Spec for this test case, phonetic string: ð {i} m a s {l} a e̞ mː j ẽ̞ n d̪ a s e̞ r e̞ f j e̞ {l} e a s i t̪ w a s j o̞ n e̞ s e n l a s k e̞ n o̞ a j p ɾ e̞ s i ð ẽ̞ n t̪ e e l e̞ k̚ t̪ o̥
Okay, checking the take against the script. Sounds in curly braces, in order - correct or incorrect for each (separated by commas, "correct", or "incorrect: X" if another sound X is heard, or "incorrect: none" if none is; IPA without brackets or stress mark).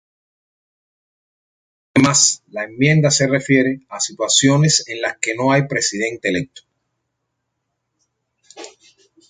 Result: incorrect: e, correct, incorrect: ɾ